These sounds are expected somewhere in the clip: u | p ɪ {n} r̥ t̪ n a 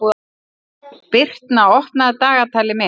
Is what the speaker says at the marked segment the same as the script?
no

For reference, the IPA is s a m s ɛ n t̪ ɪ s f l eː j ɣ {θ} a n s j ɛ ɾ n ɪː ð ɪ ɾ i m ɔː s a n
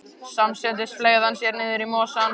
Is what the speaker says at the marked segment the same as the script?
no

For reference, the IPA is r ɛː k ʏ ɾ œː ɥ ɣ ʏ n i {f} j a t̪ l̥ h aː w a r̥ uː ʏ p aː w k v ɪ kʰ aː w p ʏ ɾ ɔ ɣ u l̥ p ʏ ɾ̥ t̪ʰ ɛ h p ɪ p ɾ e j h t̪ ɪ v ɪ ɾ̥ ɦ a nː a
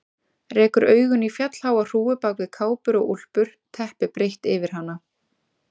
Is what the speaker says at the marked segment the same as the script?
yes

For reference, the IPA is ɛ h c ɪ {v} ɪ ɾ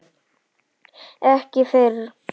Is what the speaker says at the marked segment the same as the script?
no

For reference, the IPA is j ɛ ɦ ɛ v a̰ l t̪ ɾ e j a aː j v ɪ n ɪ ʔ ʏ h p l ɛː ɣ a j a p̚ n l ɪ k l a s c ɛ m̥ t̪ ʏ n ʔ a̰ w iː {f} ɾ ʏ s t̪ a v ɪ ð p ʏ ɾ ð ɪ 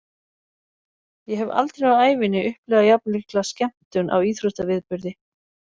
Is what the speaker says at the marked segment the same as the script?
no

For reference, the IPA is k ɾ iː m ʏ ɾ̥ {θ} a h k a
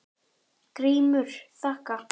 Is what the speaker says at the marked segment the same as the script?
yes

